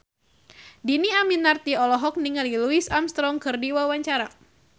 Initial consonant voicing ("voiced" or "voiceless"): voiced